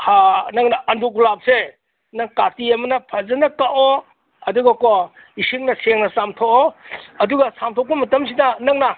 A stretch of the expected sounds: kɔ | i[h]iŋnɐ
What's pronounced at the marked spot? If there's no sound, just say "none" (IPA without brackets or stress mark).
s